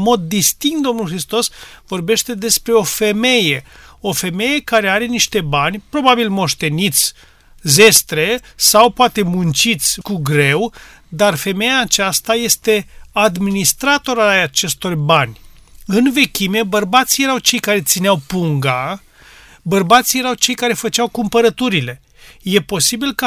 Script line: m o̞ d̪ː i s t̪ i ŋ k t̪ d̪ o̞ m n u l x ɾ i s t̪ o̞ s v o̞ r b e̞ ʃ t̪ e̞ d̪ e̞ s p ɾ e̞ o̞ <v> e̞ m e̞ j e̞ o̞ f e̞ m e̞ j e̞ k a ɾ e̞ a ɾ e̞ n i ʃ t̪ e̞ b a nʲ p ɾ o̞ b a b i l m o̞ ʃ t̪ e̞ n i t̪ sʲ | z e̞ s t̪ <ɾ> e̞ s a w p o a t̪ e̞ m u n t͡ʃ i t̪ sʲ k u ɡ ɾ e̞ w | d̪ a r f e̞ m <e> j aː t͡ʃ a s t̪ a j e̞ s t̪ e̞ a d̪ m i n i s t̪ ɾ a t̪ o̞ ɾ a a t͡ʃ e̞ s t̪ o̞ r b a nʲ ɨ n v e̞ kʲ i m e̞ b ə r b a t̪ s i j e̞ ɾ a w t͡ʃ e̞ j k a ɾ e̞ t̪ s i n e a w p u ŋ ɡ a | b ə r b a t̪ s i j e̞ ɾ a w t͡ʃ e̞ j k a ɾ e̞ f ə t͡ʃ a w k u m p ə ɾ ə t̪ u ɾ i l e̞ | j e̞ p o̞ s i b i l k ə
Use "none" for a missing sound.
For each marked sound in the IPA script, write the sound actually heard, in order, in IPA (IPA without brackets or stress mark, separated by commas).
f, ɾ, e